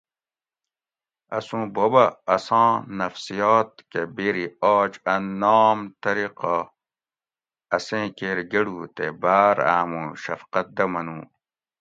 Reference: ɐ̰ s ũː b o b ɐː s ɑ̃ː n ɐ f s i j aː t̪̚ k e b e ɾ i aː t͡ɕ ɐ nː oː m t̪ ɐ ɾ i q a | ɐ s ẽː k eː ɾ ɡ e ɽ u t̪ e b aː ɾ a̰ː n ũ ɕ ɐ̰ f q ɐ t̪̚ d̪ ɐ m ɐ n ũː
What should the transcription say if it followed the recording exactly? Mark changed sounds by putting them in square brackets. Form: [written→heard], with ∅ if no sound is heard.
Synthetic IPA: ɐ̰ s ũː b o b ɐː s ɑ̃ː n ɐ f s i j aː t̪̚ k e b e ɾ i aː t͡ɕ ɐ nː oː m t̪ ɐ ɾ i q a | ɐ s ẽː k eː ɾ ɡ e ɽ u t̪ e b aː ɾ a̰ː [n→m] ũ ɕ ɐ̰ f q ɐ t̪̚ d̪ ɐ m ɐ n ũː